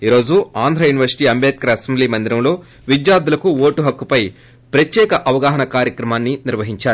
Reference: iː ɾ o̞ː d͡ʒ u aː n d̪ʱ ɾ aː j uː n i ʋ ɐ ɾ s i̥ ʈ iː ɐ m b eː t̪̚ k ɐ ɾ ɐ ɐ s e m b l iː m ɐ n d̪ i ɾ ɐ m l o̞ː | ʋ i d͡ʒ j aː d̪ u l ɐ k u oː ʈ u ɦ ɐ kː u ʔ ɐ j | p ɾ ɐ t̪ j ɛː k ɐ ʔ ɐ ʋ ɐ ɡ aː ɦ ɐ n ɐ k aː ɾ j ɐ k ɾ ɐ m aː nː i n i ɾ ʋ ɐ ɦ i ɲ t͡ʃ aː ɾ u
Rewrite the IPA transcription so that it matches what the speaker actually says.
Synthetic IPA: iː ɾ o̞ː d͡ʒ u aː n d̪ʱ ɾ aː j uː n i ʋ ɐ ɾ s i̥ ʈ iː ɐ m b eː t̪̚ k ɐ ɾ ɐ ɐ s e m b l iː m ɐ n d̪ i ɾ ɐ m l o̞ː | ʋ i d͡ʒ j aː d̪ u l ɐ k u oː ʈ u ɦ ɐ kː u p ɐ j | p ɾ ɐ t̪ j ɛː k ɐ ʔ ɐ ʋ ɐ ɡ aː ɦ ɐ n ɐ k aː ɾ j ɐ k ɾ ɐ m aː nː i n i ɾ ʋ ɐ ɦ i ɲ t͡ʃ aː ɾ u